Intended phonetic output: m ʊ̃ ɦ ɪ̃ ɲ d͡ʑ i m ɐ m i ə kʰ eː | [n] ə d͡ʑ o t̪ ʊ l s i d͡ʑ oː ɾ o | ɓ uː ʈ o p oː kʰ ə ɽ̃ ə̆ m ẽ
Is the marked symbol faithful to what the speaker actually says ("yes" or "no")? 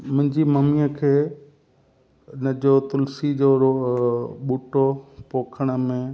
yes